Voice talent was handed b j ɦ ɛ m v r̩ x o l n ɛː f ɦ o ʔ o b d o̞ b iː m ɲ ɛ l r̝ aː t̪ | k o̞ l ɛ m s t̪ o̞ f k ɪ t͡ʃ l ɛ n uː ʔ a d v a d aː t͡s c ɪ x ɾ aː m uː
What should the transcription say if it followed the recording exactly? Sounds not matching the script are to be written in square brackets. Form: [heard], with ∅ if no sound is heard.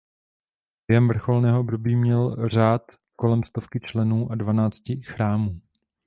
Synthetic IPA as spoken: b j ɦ ɛ m v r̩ x o l n ɛː [∅] ɦ o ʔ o b d o̞ b iː m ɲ ɛ l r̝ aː t̪ | k o̞ l ɛ m s t̪ o̞ f k ɪ t͡ʃ l ɛ n uː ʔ a d v a [n] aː t͡s c ɪ x ɾ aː m uː